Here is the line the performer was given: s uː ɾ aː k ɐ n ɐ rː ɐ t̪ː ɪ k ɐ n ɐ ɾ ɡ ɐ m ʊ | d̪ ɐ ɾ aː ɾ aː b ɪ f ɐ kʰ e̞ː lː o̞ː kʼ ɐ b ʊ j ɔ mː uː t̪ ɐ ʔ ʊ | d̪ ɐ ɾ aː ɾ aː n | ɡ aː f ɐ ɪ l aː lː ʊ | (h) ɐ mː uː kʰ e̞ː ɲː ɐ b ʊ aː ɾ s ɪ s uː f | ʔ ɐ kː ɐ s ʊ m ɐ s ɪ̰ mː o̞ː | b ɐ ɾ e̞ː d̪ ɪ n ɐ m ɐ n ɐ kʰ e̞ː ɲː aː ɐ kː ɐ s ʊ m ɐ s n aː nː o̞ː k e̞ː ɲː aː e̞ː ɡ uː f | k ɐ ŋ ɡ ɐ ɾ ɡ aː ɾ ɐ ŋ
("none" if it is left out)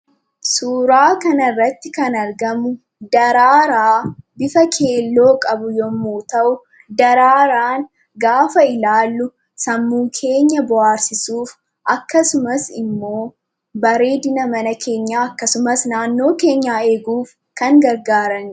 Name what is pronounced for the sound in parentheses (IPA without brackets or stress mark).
s